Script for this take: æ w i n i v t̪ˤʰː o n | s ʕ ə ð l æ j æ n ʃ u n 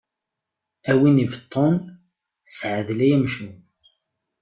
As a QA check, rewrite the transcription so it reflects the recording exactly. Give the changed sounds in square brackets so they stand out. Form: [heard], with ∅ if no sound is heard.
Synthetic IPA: æ w i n i v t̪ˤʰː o n | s ʕ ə ð l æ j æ [m] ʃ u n